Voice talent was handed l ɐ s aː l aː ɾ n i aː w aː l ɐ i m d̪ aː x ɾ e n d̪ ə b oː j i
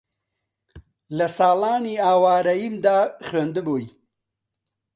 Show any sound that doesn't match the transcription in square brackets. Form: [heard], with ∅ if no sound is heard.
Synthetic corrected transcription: l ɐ s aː l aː [∅] n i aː w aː [ɾ] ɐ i m d̪ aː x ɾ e n d̪ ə b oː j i